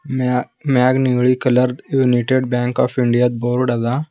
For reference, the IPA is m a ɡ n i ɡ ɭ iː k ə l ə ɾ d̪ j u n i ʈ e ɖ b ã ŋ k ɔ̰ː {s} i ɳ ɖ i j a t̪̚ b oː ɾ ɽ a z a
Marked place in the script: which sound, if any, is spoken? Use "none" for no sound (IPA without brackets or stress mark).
f